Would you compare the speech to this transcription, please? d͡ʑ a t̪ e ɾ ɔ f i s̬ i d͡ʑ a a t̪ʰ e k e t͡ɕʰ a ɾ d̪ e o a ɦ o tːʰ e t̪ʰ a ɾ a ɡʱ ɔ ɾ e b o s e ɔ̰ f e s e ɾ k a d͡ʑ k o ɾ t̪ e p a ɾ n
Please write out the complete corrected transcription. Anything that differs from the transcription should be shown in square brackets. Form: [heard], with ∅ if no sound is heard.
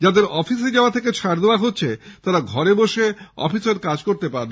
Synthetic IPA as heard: d͡ʑ a [d̪] e ɾ ɔ f i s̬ [e] d͡ʑ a a t̪ʰ e k e t͡ɕʰ a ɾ d̪ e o a ɦ o tːʰ e [t̪] a ɾ a ɡʱ ɔ ɾ e b o [ʃ] e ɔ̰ f [i] s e ɾ k a d͡ʑ k o ɾ t̪ e p a ɾ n